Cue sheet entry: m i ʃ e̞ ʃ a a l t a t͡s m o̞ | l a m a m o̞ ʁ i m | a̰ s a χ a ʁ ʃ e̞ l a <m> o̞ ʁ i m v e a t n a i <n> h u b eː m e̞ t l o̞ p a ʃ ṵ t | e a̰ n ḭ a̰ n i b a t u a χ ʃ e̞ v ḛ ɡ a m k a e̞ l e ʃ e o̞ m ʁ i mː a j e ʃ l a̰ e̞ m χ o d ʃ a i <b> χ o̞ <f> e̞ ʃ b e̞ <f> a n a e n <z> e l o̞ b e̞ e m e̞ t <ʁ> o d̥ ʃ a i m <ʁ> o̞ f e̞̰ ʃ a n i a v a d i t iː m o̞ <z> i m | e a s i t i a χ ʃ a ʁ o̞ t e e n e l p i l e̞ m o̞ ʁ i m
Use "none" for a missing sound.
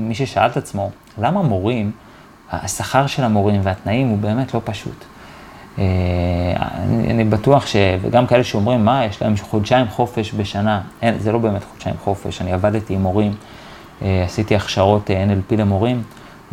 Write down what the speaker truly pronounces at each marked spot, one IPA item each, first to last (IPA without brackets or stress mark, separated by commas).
m, m, m, f, ʃ, z, χ, χ, ʁ